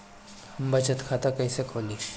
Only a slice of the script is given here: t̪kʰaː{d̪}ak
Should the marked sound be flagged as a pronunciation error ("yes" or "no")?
yes